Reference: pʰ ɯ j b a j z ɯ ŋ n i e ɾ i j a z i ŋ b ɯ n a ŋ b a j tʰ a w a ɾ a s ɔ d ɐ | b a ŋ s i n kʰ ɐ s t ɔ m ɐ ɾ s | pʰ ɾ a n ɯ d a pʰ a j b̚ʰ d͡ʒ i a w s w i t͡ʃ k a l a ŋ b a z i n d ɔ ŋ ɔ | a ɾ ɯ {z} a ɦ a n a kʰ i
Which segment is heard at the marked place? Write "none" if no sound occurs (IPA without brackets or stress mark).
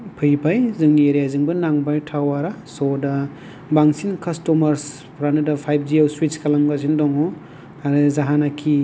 z